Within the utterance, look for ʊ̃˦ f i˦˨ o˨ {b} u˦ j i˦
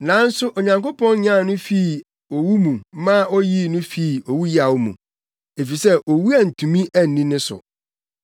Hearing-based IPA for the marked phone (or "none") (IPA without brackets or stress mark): w